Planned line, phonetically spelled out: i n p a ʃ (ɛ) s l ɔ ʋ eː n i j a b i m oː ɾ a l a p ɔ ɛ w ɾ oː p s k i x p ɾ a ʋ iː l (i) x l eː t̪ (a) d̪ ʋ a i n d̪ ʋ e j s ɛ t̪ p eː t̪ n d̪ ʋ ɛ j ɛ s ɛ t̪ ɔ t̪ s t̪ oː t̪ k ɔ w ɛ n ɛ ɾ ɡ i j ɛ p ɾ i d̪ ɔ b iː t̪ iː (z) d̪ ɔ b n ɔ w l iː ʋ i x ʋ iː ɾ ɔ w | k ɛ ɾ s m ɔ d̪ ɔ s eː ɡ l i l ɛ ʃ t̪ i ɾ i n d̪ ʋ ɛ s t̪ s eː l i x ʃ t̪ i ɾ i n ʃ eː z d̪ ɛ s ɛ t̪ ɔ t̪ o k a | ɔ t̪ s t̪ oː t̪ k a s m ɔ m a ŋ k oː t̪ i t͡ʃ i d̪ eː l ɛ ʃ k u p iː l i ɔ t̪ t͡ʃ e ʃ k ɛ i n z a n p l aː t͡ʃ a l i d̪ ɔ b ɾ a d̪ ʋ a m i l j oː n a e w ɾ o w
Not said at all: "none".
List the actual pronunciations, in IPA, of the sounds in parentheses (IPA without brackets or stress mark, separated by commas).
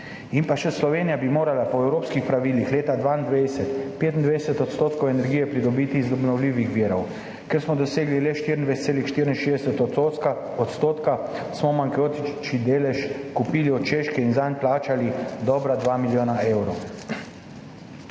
ɛ, i, a, z